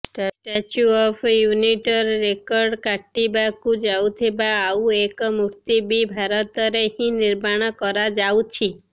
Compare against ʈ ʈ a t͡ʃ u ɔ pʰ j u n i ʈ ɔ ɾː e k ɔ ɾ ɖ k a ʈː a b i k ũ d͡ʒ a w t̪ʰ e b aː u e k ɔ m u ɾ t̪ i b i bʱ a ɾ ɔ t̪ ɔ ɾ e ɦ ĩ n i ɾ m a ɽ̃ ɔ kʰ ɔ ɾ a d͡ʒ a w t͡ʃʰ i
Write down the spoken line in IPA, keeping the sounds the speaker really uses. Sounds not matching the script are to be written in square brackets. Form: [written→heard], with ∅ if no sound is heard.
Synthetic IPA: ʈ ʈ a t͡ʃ u ɔ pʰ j u n i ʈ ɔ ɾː e k ɔ ɾ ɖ k a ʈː [a→i] b [i→a] k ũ d͡ʒ a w t̪ʰ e b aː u e k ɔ m u ɾ t̪ i b i bʱ a ɾ ɔ t̪ ɔ ɾ e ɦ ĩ n i ɾ m a ɽ̃ ɔ [kʰ→k] ɔ ɾ a d͡ʒ a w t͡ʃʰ i